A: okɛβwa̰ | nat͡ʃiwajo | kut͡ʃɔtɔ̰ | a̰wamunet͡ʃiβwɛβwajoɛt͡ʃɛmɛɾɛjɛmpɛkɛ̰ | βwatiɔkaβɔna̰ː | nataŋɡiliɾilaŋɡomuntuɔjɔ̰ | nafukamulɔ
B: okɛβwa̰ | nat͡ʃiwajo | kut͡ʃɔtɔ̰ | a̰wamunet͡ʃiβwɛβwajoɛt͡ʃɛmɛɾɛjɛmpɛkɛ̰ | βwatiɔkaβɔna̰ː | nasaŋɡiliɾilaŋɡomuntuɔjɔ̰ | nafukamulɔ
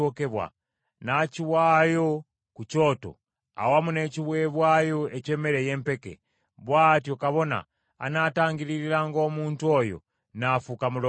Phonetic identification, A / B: A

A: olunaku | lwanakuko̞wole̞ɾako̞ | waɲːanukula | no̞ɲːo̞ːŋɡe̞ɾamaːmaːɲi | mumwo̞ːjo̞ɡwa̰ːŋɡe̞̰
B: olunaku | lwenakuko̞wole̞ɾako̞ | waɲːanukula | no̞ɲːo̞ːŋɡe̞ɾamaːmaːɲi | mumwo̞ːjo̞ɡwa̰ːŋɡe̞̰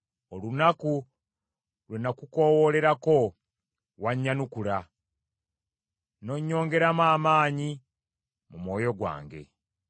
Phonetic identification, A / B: B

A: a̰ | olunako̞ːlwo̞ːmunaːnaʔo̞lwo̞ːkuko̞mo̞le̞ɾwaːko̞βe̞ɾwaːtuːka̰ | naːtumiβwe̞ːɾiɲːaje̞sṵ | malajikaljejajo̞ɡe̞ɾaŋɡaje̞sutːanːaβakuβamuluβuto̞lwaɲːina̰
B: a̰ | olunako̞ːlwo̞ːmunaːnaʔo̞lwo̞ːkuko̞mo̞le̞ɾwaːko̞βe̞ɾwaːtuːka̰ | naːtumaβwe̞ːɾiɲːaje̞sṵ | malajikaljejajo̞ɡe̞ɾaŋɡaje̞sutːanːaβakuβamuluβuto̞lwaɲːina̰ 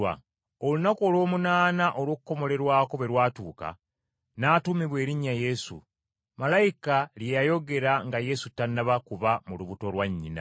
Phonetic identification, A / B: A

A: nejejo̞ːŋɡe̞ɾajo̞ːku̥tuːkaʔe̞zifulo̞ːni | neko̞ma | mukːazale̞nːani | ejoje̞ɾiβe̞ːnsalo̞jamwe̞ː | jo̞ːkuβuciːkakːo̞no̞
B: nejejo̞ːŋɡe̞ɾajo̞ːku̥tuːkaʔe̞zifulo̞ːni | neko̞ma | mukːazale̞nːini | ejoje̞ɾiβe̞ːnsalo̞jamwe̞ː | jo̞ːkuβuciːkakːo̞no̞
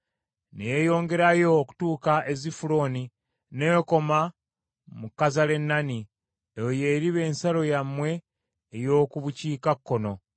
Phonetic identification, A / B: A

